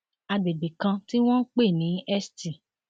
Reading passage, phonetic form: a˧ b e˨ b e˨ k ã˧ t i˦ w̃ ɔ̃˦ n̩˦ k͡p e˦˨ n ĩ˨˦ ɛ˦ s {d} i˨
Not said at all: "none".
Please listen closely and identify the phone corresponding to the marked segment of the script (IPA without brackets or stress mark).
t